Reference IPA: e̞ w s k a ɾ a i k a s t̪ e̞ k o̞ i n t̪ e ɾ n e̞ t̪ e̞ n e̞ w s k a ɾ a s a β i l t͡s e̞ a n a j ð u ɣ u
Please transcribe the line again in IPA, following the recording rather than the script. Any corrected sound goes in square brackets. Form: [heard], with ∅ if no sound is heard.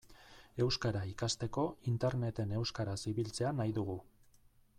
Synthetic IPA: e̞ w s k a ɾ a i k a s t̪ e̞ k o̞ i n t̪ e ɾ n e̞ t̪ e̞ n e̞ w s k a ɾ a s [i] β i l t͡s e̞ a n a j ð u ɣ u